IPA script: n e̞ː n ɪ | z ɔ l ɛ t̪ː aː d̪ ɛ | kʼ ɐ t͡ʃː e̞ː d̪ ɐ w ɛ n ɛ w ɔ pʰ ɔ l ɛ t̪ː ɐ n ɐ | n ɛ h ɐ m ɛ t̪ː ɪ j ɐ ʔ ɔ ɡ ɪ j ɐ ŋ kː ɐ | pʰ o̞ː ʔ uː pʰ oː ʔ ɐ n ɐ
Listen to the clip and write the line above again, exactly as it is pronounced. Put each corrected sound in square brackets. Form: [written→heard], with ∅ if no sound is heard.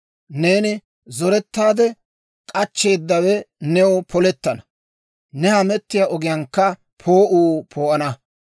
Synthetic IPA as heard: n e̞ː n ɪ | z ɔ [l→ɾ] ɛ t̪ː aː d̪ ɛ | kʼ ɐ t͡ʃː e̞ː [d̪→d̪ː] ɐ w ɛ n ɛ w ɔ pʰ ɔ l ɛ t̪ː ɐ n ɐ | n ɛ h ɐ m ɛ t̪ː ɪ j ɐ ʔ ɔ ɡ ɪ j ɐ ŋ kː ɐ | pʰ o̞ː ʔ uː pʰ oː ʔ ɐ n ɐ